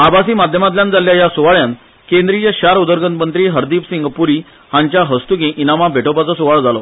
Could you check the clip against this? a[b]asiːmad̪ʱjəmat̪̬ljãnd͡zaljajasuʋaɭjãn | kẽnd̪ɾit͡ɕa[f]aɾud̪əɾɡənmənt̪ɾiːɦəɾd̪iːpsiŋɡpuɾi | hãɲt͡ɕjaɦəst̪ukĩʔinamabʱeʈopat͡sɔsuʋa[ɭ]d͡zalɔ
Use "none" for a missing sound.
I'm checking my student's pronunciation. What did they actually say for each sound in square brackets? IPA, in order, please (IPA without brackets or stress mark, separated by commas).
b, ɕ, ɭ